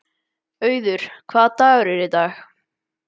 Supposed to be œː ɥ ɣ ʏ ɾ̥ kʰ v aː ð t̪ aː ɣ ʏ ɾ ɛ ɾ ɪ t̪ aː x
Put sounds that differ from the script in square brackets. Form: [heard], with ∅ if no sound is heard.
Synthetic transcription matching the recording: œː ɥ [ð] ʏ ɾ̥ kʰ v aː ð t̪ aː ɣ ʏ ɾ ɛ ɾ ɪ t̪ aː x